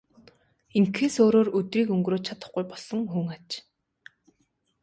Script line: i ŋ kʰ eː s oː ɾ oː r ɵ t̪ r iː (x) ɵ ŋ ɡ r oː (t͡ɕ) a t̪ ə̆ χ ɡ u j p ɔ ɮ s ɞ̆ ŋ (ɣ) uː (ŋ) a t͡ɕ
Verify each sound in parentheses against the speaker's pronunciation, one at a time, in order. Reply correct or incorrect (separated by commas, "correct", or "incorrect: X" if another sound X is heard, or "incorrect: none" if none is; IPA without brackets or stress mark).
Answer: incorrect: k, incorrect: t͡ɕʰ, incorrect: x, correct